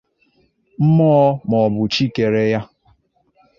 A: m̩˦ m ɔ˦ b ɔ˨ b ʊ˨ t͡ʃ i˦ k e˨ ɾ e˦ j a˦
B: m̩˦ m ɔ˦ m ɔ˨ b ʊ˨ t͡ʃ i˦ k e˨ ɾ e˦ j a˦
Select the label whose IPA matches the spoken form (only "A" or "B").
B